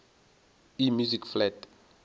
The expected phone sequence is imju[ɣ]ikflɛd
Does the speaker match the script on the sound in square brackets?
no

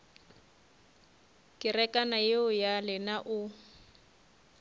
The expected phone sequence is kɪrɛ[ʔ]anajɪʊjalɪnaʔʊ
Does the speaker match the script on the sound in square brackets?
no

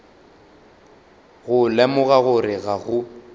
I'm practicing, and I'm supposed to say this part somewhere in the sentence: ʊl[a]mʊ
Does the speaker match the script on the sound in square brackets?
no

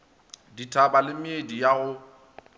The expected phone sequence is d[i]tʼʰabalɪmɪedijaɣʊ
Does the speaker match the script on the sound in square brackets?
yes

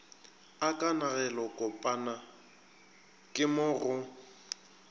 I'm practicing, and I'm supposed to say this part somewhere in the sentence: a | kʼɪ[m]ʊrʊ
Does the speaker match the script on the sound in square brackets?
yes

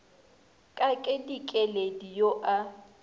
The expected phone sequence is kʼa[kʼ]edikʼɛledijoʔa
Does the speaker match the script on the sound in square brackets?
yes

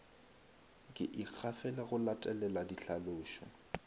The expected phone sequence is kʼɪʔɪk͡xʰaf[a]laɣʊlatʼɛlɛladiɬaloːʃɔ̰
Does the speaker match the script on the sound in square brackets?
no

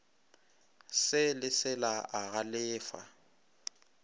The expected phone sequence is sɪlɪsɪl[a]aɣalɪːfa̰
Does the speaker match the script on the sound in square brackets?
yes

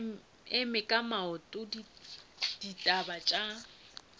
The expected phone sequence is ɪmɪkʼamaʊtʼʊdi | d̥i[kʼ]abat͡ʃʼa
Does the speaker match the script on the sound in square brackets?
no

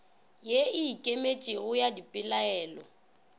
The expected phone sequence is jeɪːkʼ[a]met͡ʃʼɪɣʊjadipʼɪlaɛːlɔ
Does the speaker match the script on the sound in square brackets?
no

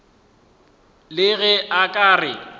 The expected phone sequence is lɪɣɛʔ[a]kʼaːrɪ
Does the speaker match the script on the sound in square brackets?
yes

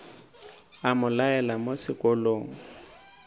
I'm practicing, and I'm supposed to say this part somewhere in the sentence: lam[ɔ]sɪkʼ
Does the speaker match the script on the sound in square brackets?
no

